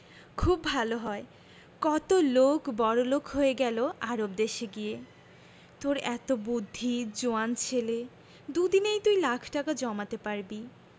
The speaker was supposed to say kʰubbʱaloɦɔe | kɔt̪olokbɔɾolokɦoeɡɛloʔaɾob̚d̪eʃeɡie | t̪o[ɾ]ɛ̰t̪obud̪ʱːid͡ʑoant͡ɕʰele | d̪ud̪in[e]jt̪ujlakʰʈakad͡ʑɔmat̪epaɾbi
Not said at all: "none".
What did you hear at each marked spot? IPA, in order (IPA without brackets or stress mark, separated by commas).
ɾ, e